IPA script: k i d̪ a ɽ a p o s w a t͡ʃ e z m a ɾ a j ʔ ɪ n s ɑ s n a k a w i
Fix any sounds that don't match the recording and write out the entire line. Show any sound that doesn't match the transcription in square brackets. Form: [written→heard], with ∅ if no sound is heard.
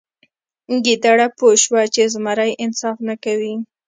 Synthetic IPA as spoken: [k→ɡ] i d̪ a ɽ a p o [s→ʃ] w a t͡ʃ e z m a ɾ a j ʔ ɪ n s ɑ [s→f] n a k a w i